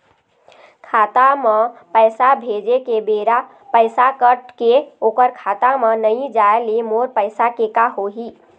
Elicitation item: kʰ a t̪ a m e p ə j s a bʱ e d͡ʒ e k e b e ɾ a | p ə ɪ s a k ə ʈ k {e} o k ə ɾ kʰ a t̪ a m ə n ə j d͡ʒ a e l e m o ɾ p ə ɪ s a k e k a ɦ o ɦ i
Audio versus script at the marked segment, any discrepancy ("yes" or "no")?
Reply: no